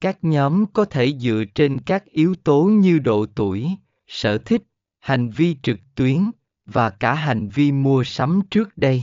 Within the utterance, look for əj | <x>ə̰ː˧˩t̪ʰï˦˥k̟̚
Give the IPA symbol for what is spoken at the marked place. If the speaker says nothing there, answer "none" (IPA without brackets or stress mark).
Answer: s